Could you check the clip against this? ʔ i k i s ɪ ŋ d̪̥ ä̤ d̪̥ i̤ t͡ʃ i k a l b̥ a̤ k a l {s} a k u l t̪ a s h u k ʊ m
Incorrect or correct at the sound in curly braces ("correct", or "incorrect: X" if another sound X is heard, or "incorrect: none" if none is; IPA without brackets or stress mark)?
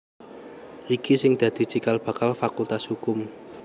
incorrect: f